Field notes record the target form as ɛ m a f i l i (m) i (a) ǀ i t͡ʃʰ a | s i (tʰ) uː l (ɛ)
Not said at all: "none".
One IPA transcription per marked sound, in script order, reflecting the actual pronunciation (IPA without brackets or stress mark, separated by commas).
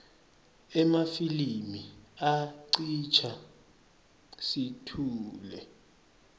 m, a, tʰ, ɛ